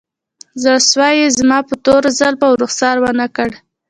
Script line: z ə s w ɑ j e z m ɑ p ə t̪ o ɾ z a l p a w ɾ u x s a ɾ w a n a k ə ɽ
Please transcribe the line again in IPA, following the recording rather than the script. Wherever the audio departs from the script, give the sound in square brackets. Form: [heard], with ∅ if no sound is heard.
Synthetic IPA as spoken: z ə s w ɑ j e z m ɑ p ə t̪ o ɾ z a l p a w ɾ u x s [ɑ] ɾ w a n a k ə ɽ